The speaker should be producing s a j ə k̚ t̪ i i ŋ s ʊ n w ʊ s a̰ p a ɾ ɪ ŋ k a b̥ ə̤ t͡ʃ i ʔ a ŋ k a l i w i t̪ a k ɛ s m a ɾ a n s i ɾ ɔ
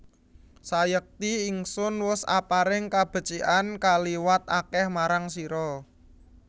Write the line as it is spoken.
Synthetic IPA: s a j ə k̚ t̪ i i ŋ s ʊ n w ʊ s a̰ p a ɾ ɪ ŋ k a b̥ ə̤ t͡ʃ i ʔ a n k a l i w a t̪ a k ɛ h m a ɾ a ŋ s i ɾ ɔ